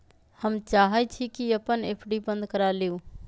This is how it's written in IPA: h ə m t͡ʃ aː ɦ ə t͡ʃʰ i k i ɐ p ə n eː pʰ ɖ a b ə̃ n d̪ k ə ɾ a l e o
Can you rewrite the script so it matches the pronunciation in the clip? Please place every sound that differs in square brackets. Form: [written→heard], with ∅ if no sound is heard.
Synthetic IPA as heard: h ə m t͡ʃ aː ɦ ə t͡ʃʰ i k i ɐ p ə n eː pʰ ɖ [a→i] b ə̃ n d̪ k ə ɾ a l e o